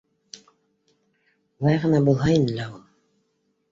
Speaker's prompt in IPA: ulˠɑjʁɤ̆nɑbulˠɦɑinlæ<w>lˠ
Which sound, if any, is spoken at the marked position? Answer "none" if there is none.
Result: u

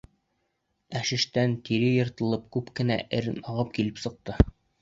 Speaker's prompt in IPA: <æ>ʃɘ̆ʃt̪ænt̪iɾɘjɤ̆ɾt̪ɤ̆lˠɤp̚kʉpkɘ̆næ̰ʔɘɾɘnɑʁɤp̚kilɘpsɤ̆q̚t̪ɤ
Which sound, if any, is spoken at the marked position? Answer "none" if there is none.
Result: æ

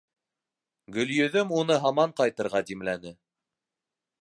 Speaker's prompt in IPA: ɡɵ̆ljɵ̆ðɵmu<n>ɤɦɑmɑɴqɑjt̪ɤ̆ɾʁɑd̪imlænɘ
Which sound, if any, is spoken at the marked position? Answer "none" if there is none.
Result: n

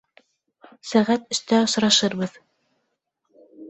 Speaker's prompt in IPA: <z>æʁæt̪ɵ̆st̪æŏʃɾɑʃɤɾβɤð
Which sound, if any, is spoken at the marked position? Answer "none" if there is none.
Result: s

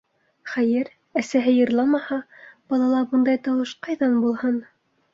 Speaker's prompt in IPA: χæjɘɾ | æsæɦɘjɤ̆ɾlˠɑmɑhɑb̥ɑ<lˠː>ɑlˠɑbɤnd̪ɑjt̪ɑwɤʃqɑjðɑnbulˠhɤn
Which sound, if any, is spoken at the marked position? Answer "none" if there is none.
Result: lˠ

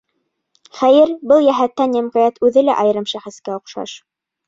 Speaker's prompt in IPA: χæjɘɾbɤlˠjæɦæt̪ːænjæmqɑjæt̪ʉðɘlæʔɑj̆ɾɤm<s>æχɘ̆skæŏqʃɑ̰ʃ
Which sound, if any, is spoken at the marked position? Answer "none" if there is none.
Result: ʃ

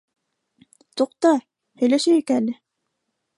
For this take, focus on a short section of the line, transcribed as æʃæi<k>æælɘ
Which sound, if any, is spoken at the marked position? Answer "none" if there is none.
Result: k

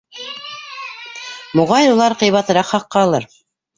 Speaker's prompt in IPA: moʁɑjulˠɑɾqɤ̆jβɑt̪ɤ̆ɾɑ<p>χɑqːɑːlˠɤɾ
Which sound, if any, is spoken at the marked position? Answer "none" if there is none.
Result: q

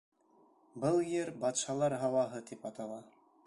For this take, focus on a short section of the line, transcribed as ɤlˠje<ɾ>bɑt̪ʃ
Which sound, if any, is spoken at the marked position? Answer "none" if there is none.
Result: ɾ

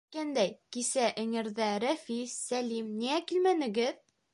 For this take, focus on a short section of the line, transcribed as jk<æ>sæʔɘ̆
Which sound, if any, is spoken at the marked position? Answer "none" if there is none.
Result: i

